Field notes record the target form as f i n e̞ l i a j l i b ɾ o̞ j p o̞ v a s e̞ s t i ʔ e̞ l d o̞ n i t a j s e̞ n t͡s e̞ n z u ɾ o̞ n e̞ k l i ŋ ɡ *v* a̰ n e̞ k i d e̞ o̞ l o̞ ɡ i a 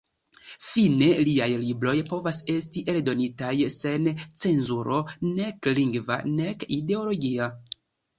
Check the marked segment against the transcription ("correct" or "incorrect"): correct